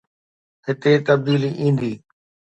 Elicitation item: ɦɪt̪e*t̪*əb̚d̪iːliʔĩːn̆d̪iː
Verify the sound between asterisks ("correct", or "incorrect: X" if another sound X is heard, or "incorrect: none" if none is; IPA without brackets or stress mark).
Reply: correct